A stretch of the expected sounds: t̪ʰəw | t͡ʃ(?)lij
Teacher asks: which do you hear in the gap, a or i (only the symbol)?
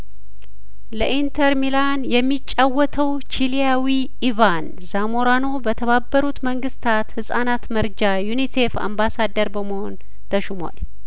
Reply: i